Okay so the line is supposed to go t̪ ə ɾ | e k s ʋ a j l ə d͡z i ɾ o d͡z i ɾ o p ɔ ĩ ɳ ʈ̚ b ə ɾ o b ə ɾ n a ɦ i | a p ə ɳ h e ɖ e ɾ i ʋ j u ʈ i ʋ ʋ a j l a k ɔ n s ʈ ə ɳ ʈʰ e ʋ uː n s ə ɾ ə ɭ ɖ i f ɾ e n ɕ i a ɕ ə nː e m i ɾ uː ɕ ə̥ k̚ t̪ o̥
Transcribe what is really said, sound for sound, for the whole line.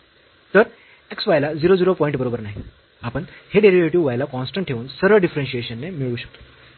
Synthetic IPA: t̪ ə ɾ | e k s ʋ a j l a d͡z i ɾ o d͡z i ɾ o p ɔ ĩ ɳ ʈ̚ b ə ɾ o b ə ɾ n a ɦ i | a p ə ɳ h e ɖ e ɾ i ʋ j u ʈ i ʋ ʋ a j l a k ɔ n s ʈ ə ɳ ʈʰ e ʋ uː n s ə ɾ ə ɭ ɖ i f ɾ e n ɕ i e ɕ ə nː e m i ɭ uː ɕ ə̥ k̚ t̪ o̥